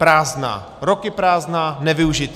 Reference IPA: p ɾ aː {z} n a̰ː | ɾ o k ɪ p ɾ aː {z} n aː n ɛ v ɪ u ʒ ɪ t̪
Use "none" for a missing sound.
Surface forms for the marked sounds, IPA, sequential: z, z

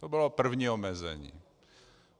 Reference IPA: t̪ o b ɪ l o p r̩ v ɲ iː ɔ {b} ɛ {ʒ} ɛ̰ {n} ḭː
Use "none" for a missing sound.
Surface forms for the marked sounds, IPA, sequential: m, z, ɲ

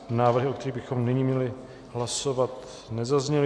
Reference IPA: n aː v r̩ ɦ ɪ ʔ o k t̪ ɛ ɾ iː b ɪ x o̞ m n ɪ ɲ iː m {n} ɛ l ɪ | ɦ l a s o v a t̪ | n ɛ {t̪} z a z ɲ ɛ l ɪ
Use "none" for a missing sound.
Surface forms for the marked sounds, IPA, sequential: ɲ, none

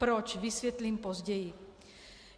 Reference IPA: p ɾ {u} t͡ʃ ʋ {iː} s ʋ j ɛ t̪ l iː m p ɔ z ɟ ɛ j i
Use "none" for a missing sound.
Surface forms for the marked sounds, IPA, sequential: ɔ, i

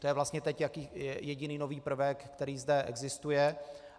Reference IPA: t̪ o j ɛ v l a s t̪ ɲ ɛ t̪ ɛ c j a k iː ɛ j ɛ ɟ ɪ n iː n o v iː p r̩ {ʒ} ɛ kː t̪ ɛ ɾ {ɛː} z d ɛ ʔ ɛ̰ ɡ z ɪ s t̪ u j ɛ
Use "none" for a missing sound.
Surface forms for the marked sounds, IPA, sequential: v, iː

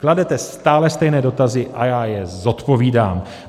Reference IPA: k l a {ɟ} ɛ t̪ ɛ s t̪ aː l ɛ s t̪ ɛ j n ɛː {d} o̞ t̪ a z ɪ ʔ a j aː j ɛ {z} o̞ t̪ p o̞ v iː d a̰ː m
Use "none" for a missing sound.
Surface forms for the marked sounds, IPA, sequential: d, d, z

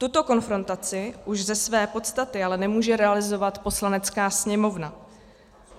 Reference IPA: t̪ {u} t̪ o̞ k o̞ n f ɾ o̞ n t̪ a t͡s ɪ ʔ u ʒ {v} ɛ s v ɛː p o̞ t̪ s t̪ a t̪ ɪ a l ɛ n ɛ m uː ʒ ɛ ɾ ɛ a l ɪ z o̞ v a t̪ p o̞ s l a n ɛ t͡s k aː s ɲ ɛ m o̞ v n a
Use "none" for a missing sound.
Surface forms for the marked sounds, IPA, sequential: u, z

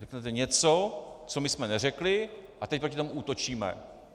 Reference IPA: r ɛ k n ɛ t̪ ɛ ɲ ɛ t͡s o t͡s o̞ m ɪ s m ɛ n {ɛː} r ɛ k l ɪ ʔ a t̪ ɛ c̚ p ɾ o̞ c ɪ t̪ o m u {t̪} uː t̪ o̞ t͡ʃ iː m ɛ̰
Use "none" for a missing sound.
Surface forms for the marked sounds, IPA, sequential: ɛ, none

